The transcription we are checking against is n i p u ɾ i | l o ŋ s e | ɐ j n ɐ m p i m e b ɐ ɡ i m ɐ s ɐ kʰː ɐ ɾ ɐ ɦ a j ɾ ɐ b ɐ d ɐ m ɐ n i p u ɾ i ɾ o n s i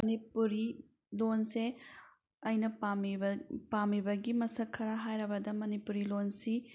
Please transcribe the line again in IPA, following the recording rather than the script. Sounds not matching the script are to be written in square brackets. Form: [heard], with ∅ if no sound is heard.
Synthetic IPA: n i p u ɾ i | l o [n] s e | ɐ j n ɐ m p [a] m [i] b ɐ ɡ i m ɐ s ɐ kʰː ɐ ɾ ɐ ɦ a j ɾ ɐ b ɐ d ɐ m ɐ n i p u ɾ i [l] o n s i